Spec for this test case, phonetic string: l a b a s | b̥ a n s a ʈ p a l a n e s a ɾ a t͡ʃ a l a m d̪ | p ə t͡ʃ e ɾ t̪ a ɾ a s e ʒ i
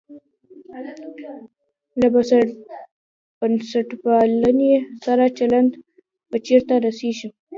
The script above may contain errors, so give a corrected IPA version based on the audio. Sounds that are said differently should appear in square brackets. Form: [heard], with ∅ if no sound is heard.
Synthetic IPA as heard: l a b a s | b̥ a n s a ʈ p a l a n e s a ɾ a t͡ʃ a l a [n] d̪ | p ə t͡ʃ e ɾ t̪ a ɾ a s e ʒ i